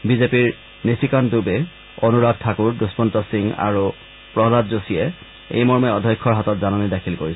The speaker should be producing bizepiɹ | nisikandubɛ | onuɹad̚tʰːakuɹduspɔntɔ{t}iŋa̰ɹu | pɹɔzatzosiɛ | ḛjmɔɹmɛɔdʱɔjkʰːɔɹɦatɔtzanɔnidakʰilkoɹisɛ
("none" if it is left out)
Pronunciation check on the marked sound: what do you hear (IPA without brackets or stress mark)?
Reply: s